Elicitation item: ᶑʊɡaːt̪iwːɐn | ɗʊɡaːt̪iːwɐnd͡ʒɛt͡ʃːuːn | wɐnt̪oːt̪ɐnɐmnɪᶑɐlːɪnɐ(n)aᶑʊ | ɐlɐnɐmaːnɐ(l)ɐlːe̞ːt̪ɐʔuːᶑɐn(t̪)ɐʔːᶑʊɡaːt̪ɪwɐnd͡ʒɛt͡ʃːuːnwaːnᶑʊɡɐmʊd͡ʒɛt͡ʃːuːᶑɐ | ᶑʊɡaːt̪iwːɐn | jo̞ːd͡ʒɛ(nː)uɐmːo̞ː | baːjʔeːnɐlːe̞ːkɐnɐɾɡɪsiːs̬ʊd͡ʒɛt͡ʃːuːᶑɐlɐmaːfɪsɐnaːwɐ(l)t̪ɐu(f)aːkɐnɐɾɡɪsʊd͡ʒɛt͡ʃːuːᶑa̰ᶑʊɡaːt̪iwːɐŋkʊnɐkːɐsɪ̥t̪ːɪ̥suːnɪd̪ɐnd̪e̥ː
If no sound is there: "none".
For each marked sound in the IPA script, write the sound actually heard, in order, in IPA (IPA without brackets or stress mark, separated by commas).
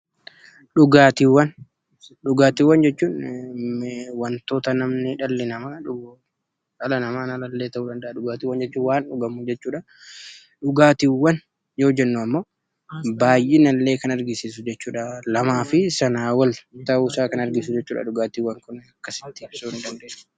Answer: m, l, d̪, nː, l, s